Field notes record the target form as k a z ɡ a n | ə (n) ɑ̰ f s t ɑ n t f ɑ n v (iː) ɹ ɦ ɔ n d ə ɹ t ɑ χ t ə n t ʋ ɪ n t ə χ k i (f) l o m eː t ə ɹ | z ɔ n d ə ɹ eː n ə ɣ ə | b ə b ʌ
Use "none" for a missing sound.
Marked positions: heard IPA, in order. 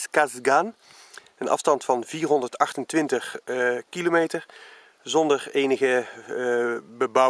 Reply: n, iː, none

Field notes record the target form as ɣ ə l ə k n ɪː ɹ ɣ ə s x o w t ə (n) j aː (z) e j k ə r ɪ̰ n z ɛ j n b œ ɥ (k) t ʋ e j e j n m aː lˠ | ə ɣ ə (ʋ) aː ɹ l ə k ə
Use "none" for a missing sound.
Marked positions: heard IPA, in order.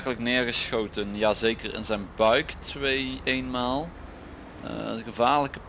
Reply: n, z, k, v

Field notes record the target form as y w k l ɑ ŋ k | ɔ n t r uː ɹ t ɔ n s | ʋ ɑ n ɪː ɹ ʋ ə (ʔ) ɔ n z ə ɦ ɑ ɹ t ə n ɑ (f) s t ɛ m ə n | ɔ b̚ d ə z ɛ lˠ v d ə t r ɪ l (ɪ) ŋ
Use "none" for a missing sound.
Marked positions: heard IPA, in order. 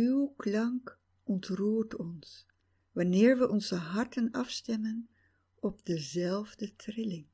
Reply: ʔ, f, ɪ

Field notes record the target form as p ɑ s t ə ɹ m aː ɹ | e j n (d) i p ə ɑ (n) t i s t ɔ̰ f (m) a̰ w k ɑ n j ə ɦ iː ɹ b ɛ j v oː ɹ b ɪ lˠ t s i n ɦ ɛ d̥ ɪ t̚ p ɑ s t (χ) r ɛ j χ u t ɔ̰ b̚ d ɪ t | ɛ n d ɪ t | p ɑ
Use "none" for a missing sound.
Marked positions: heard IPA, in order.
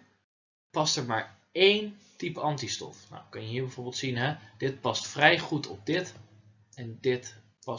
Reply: t, n, n, f

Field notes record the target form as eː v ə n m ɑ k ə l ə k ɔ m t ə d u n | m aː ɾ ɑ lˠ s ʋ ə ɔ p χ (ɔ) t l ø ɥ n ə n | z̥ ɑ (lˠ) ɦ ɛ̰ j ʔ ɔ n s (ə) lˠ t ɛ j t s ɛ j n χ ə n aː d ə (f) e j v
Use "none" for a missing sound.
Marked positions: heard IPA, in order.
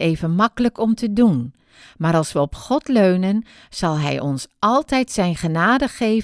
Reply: ɔ, lˠ, ɑ, χ

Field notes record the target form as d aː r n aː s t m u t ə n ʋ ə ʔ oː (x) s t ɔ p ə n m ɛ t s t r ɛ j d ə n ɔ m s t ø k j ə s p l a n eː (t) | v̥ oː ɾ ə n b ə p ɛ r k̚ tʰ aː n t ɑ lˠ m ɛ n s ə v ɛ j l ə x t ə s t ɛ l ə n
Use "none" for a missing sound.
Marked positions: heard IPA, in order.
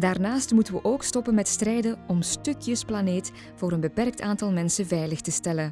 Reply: k, t

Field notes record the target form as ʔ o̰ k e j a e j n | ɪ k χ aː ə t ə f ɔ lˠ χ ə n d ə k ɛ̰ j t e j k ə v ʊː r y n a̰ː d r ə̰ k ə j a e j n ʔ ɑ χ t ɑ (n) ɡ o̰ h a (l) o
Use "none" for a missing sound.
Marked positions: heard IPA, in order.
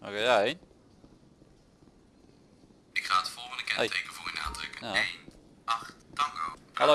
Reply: ŋ, l

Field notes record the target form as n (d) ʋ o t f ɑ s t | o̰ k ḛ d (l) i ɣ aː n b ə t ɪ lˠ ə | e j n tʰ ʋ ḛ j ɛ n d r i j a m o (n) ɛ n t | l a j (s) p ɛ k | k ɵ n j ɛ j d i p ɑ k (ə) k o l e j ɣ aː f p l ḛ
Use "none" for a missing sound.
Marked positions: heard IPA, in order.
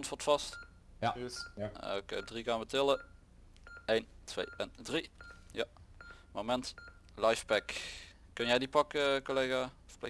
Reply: t, r, m, f, ə

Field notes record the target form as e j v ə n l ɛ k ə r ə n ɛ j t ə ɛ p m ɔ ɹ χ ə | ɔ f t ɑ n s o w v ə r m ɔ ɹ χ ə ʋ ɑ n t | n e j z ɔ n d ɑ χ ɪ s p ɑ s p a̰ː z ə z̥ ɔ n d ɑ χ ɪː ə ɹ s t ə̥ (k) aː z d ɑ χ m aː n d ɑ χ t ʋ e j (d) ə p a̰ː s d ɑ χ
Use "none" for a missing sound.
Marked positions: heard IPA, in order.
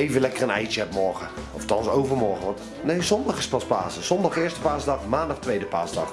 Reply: p, d

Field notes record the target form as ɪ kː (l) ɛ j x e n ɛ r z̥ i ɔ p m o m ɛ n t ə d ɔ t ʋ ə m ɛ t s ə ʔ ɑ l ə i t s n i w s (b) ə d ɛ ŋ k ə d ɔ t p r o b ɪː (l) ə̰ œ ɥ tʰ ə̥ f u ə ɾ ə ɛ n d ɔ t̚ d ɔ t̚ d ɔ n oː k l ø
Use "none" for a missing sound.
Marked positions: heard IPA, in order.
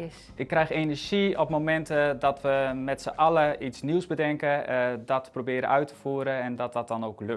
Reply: r, b, ɾ

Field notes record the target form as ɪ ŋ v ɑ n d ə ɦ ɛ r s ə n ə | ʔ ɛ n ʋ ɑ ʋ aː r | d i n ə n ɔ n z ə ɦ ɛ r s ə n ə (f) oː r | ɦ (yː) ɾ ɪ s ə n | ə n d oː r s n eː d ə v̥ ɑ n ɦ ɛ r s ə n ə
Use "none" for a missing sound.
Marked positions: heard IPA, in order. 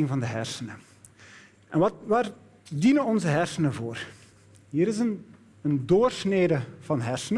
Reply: v, iː

